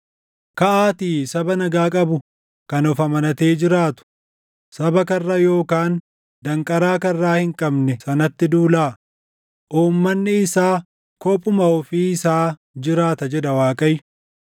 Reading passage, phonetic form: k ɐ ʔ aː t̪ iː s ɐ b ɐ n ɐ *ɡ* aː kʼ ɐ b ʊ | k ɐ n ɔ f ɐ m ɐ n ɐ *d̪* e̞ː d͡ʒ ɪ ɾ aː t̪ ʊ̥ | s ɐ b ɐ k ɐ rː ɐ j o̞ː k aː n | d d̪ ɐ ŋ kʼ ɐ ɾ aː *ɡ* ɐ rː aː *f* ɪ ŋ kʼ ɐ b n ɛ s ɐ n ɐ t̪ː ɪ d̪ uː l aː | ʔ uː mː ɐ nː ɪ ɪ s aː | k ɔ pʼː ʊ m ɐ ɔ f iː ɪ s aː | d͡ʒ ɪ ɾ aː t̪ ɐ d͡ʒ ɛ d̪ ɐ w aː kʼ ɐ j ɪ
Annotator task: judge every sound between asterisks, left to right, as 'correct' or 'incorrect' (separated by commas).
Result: correct, incorrect, incorrect, incorrect